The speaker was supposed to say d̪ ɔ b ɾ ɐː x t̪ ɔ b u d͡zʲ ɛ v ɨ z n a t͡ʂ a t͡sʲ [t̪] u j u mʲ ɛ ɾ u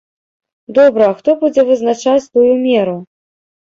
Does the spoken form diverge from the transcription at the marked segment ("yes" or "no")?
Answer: no